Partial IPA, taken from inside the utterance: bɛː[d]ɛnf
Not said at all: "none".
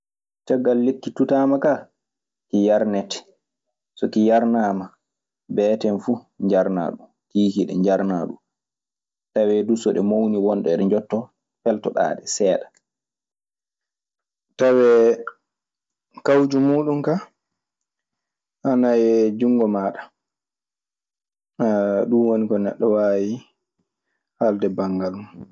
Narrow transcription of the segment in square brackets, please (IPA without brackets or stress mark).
t